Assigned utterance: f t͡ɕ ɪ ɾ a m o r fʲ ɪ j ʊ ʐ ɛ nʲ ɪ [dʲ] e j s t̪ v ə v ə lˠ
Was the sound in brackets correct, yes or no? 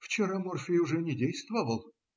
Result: yes